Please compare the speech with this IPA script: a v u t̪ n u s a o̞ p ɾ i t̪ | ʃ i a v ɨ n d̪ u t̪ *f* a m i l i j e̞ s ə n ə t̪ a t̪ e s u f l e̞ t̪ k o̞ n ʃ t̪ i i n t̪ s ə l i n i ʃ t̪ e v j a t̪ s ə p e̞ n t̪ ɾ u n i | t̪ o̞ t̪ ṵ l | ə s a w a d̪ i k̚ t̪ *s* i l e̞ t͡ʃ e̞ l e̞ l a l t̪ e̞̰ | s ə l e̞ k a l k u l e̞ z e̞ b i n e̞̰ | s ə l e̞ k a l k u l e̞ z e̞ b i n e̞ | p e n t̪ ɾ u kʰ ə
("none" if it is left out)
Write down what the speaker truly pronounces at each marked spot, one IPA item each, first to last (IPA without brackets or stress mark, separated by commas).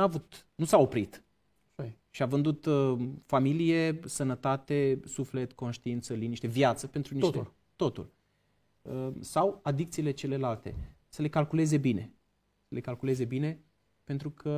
f, s